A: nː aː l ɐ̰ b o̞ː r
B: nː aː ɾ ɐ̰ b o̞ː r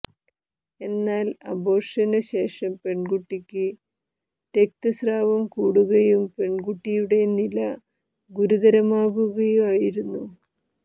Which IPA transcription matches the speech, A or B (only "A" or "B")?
A